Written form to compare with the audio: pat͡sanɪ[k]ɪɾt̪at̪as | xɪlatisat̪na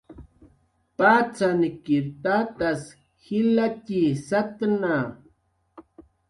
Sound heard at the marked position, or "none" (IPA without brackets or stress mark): k